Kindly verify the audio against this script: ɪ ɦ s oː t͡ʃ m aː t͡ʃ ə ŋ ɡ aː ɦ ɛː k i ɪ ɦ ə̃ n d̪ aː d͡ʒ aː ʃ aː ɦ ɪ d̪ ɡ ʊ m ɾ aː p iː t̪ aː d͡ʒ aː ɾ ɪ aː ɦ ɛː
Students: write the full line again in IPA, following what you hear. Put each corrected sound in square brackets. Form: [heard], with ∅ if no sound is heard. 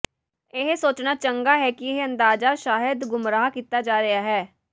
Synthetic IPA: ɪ ɦ s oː t͡ʃ [n] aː t͡ʃ ə ŋ ɡ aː ɦ ɛː k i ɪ ɦ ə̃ n d̪ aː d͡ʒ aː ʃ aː ɦ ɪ d̪ ɡ ʊ m ɾ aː [k] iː t̪ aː d͡ʒ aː ɾ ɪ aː ɦ ɛː